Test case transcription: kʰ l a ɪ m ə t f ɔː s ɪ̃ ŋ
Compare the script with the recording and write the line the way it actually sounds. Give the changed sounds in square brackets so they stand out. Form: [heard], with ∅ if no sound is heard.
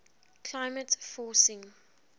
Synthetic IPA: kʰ l a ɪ m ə t f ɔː s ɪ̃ ŋ